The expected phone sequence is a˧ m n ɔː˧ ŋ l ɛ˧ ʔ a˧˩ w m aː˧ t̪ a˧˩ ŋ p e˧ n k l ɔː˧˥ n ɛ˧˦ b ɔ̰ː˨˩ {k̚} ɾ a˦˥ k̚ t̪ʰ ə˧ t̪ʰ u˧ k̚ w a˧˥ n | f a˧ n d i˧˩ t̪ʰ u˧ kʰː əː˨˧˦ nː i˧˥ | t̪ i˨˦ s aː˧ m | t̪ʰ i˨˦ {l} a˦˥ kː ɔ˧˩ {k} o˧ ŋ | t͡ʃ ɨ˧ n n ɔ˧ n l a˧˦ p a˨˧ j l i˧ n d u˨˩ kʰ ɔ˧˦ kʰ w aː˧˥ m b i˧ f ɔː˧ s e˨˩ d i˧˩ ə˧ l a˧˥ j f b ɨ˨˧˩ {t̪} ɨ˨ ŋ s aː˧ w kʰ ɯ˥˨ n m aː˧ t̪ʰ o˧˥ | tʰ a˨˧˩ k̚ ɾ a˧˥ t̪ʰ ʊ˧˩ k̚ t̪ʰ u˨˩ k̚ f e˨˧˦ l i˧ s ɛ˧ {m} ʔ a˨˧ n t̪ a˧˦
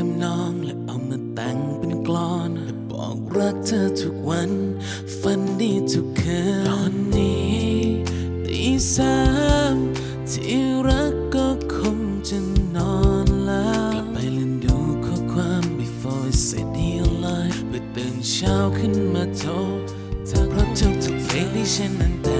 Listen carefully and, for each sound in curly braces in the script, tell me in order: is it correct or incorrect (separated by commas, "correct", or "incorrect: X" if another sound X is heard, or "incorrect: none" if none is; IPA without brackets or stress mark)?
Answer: correct, incorrect: ɾ, incorrect: kʰ, correct, incorrect: n